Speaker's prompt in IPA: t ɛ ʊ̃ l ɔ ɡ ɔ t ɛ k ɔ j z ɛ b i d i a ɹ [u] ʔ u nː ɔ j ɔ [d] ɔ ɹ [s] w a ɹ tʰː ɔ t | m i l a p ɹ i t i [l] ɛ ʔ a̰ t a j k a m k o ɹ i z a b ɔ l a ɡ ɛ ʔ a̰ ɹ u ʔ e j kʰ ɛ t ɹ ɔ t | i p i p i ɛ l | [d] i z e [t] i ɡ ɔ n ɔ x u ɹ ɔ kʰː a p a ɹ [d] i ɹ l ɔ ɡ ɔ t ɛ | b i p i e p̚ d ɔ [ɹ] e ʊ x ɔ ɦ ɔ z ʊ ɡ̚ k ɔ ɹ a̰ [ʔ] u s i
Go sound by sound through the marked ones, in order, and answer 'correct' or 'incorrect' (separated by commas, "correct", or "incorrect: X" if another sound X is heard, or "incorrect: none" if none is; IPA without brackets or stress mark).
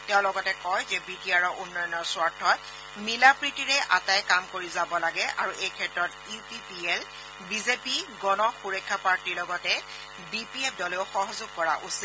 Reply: incorrect: ɔ, incorrect: n, correct, incorrect: ɹ, incorrect: b, incorrect: p, incorrect: t, incorrect: l, correct